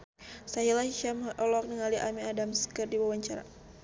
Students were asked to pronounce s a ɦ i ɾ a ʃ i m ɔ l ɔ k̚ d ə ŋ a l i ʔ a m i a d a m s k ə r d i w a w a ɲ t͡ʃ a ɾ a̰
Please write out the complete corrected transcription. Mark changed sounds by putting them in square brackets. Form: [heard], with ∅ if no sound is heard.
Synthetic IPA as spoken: s a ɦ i [l] a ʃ [a] m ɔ l ɔ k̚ [n] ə ŋ a l i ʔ a m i a d a m s k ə r d i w a w a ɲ t͡ʃ a ɾ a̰